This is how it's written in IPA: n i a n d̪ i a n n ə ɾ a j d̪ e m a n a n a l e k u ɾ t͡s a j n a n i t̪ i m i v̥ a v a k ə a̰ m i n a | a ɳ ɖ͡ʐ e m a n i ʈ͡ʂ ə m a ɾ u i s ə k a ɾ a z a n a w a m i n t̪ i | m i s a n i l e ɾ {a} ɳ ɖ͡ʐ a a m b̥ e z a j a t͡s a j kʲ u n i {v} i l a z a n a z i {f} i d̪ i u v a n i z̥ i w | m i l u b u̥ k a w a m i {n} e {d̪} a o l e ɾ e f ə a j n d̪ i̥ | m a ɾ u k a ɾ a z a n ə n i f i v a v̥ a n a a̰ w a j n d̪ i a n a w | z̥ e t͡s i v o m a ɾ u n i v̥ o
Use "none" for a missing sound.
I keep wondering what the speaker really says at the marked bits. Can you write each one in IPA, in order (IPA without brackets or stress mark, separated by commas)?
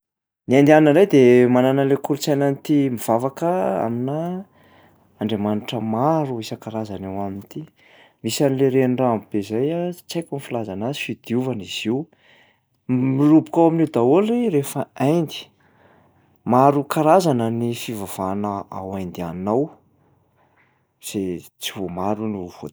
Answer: e, f, f, n, d̪